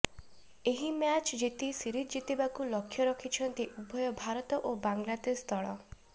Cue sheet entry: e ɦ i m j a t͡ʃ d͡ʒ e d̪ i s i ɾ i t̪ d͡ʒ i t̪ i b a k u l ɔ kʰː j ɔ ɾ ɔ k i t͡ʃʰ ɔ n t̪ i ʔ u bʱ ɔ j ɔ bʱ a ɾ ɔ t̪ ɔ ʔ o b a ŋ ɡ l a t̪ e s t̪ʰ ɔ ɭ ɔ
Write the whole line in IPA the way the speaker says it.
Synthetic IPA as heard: e ɦ i m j a t͡ʃ d͡ʒ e t̪ i s i ɾ i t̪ d͡ʒ i t̪ i b a k u l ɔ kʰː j ɔ ɾ ɔ kʰ i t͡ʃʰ ɔ n t̪ i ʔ u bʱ ɔ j ɔ bʱ a ɾ ɔ t̪ ɔ ʔ o b a ŋ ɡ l a t̪ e s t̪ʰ ɔ ɭ ɔ